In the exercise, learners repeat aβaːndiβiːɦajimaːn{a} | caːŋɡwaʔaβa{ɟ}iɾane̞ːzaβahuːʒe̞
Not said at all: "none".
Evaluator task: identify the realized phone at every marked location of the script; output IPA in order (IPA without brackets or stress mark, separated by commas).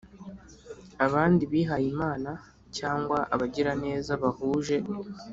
a, ɟ